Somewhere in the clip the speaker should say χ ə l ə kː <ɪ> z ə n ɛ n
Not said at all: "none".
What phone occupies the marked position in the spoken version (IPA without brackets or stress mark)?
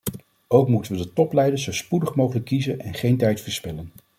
i